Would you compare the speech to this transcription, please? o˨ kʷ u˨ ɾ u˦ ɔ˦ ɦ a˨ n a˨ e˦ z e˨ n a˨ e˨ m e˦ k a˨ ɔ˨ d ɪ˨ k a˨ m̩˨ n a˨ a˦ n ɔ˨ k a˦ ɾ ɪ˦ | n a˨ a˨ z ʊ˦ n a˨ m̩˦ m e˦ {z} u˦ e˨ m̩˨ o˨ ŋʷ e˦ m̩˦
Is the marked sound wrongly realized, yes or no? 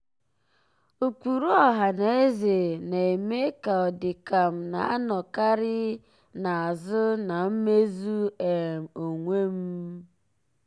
no